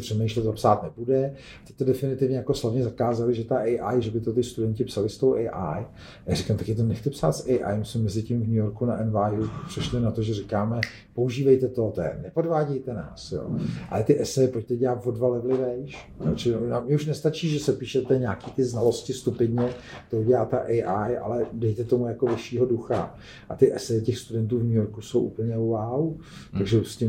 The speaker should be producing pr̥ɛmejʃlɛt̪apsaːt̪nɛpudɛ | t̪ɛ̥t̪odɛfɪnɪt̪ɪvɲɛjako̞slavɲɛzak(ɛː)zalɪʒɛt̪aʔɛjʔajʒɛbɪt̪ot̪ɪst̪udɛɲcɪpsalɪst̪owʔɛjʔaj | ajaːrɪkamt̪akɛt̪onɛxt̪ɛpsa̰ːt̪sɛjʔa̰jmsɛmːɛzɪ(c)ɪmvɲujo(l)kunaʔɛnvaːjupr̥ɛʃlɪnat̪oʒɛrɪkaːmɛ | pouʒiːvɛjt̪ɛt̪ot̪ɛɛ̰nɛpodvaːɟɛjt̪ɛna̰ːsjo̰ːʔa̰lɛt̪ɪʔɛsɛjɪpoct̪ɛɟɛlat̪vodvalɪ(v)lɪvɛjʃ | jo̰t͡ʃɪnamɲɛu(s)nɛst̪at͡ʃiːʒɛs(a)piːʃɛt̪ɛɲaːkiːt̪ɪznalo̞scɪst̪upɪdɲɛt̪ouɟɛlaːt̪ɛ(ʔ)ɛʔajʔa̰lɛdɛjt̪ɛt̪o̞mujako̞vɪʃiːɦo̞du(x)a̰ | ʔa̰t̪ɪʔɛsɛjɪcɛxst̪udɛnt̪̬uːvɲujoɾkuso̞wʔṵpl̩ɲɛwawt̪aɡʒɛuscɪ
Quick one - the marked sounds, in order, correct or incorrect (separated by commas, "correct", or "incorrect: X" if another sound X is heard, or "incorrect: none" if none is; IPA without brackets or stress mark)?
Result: incorrect: aː, correct, incorrect: ɾ, correct, incorrect: ʃ, incorrect: ɛ, correct, correct